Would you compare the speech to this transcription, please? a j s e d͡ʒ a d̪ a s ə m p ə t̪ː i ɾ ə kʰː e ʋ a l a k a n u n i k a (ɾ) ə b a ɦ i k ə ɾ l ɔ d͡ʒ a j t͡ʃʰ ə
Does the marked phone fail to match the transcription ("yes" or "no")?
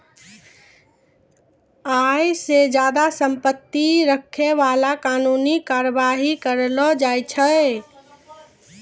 no